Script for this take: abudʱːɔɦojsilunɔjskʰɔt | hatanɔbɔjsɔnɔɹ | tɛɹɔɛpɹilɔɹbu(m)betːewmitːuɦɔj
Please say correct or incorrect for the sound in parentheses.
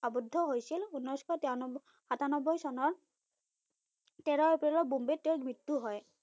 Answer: correct